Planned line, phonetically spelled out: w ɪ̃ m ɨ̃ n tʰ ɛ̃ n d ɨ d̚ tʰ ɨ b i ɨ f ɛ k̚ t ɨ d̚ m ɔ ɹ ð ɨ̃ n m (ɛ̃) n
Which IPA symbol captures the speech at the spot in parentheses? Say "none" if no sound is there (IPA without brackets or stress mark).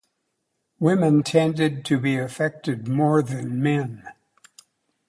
ɛ̃